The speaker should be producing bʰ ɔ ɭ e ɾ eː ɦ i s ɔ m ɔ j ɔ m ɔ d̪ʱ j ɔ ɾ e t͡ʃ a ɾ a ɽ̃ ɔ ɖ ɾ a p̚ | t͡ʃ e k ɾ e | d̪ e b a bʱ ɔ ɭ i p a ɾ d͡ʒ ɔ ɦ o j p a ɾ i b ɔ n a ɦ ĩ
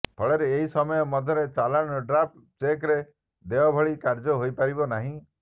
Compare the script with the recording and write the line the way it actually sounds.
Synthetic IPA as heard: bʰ ɔ ɭ e ɾ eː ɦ i s ɔ m ɔ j ɔ m ɔ d̪ʱ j ɔ ɾ e t͡ʃ a l a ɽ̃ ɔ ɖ ɾ a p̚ | t͡ʃ e k ɾ e | d̪ e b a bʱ ɔ ɭ i k a ɾ d͡ʒ ɔ ɦ o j p a ɾ i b ɔ n a ɦ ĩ